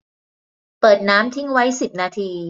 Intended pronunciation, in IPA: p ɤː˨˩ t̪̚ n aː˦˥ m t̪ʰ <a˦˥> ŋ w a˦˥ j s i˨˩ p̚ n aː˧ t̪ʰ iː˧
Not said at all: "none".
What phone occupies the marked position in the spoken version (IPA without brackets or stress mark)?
i˦˥